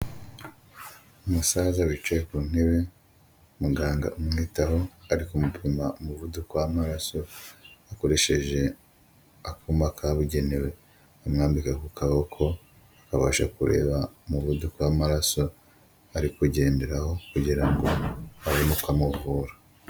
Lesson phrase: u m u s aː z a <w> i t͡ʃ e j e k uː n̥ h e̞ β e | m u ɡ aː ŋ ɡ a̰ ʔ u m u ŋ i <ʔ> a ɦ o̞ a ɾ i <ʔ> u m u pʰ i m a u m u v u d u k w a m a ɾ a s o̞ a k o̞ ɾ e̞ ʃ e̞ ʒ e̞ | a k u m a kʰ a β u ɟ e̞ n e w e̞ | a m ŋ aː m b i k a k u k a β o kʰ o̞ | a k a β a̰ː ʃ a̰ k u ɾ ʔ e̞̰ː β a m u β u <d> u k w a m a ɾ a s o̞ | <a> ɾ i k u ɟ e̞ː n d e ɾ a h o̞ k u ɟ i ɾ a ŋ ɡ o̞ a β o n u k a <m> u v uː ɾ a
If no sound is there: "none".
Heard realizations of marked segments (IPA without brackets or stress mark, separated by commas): w, t, k, d, a, m